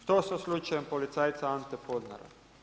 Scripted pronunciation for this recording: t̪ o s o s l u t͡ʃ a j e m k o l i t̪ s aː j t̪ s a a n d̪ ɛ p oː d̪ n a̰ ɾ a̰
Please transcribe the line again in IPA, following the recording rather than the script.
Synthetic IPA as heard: t̪ o s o s l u t͡ʃ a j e m p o l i t̪ s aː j t̪ s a a n t̪ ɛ p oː d̪ n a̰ ɾ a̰